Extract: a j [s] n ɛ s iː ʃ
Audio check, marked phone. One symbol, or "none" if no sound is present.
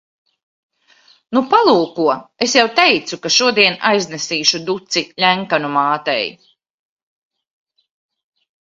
z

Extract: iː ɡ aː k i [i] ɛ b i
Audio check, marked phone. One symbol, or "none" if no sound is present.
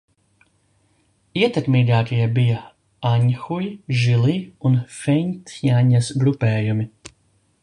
j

